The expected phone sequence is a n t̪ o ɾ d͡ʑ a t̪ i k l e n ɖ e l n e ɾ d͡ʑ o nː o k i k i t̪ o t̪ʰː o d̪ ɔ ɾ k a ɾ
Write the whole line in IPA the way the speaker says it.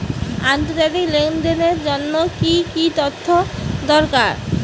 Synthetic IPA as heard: a n t̪ o ɾ d͡ʑ a t̪ i k l e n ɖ e n e ɾ d͡ʑ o nː o k i k i t̪ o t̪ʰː o d̪ ɔ ɾ k a ɾ